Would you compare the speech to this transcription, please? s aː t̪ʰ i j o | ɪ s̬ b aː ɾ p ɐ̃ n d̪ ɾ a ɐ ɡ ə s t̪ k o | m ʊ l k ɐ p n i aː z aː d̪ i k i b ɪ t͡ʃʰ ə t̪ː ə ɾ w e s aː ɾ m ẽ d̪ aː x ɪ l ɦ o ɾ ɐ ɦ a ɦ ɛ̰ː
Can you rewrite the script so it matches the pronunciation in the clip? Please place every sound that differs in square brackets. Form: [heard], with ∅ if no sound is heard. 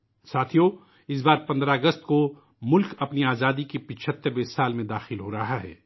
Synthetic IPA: s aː t̪ʰ i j o | ɪ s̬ b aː ɾ p ɐ̃ n d̪ ɾ a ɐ ɡ ə s t̪ k o | m ʊ l k ɐ p n i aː z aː d̪ i k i [p] ɪ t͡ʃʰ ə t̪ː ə ɾ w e s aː [l] m ẽ d̪ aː x ɪ l ɦ o ɾ ɐ ɦ a ɦ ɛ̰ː